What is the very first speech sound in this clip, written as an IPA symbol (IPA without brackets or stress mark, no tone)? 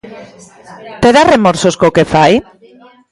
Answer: t̪